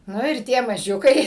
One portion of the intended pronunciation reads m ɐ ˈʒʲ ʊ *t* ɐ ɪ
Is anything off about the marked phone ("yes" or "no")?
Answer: yes